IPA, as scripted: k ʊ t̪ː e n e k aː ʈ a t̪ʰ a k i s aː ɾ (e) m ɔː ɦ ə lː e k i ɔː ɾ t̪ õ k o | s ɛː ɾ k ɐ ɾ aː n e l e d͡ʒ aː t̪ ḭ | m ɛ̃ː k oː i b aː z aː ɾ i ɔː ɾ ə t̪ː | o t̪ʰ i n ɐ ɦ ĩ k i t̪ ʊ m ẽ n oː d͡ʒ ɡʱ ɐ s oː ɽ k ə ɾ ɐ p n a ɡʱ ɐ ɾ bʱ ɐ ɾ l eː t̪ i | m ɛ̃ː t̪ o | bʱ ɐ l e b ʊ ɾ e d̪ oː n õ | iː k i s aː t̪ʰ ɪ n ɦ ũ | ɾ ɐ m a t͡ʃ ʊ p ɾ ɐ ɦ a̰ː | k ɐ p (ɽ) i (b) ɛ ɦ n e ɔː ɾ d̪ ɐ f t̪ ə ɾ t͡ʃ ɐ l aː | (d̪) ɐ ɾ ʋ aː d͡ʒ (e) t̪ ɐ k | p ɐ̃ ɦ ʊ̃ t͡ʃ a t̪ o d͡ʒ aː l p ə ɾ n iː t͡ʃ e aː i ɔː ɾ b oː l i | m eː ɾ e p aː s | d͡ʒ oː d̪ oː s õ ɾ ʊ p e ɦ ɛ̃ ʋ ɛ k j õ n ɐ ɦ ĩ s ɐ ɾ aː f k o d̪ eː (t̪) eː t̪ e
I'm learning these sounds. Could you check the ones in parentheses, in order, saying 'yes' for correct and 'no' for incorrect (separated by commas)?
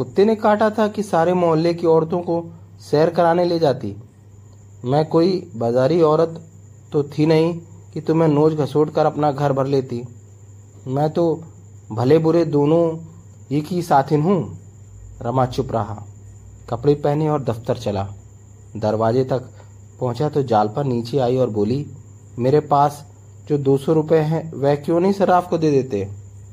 yes, yes, no, yes, yes, no